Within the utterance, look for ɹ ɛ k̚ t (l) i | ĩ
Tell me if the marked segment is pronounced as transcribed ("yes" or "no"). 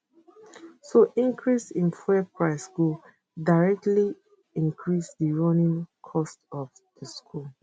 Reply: yes